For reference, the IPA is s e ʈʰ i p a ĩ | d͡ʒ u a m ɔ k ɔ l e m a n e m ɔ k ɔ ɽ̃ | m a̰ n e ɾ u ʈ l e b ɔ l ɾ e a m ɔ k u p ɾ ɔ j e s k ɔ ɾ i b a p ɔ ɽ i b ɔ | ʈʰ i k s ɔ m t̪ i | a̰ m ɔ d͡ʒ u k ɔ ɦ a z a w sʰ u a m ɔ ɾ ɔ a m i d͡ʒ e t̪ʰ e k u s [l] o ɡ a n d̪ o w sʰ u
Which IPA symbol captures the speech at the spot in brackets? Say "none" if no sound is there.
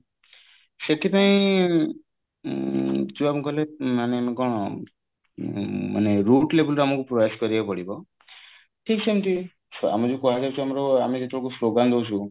l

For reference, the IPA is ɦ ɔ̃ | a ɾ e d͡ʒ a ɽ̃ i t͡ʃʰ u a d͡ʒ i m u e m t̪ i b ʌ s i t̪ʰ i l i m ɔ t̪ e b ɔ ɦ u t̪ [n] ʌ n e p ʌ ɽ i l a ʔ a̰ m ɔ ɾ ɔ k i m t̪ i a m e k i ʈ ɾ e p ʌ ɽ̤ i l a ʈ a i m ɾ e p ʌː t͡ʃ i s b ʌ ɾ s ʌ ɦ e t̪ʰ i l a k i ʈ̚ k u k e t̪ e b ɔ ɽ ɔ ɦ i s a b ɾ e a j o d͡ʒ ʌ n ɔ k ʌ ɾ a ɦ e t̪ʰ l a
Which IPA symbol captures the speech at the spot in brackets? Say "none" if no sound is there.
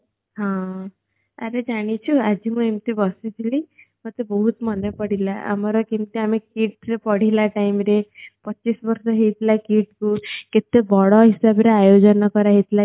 m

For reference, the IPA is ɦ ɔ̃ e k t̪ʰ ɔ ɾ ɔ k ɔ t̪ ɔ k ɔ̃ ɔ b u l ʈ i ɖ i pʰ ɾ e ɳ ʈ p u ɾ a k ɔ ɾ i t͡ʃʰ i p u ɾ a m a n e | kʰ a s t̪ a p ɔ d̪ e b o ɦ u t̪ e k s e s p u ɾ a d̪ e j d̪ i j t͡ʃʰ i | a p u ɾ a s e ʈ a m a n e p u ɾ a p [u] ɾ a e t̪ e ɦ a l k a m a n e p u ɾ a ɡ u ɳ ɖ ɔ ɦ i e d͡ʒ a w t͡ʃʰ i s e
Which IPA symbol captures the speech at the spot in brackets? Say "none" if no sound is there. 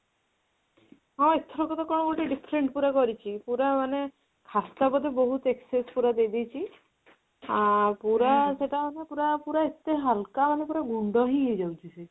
u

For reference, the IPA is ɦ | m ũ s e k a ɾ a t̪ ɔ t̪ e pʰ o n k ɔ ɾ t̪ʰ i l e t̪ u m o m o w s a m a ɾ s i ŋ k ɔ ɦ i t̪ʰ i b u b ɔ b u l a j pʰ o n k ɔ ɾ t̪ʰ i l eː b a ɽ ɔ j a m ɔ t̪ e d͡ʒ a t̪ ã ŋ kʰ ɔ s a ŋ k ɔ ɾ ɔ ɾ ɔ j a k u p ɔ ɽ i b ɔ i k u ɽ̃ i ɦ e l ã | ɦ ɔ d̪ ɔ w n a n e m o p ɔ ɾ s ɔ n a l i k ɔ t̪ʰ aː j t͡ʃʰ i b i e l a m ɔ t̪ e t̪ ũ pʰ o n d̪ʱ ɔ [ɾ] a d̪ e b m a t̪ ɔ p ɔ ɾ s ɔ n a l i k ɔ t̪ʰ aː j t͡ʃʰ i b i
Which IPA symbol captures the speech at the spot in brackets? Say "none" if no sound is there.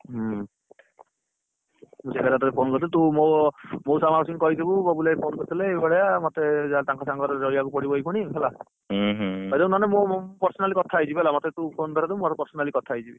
ɾ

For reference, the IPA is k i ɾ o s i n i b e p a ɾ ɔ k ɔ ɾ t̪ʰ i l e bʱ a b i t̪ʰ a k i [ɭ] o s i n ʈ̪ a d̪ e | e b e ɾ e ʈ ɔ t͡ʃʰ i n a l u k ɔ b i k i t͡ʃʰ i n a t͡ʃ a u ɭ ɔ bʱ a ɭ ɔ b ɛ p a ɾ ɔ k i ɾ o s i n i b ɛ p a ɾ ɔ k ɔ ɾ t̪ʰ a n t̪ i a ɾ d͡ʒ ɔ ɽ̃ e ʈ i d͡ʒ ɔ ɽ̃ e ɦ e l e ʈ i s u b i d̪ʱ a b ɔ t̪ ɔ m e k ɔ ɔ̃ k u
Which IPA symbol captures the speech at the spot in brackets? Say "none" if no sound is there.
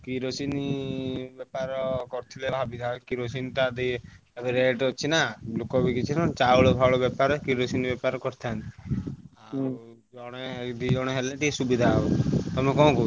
ɾ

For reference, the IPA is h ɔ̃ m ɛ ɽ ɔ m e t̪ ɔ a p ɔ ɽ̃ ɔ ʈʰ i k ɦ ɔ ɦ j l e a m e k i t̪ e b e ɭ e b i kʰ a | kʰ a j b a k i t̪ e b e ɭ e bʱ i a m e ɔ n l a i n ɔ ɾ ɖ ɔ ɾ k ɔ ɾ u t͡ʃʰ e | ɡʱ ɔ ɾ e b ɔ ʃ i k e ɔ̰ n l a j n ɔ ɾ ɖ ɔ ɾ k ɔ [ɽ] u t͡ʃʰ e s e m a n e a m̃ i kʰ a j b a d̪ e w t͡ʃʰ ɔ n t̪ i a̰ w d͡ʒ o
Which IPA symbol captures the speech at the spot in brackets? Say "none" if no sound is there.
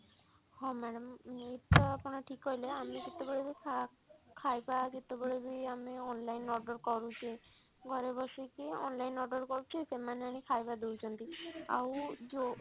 ɾ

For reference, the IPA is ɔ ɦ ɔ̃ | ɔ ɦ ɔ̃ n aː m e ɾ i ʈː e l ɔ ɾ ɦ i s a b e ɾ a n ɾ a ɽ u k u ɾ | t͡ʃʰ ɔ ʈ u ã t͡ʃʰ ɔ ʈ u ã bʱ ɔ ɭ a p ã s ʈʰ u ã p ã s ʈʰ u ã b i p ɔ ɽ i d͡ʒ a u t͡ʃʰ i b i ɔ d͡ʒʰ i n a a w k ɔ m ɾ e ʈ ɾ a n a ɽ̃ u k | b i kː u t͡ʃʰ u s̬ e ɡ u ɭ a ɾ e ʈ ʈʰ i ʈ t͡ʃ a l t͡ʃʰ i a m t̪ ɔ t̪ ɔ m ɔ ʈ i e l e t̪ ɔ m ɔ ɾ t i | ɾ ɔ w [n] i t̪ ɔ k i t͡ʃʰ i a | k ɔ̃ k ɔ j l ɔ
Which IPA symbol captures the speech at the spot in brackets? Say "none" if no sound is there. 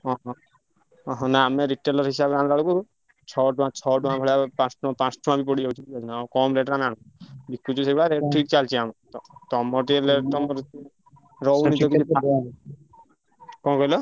n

